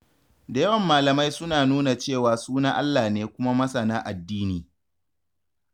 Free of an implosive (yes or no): yes